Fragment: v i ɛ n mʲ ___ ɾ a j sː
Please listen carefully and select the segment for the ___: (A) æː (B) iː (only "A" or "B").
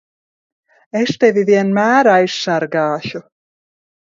A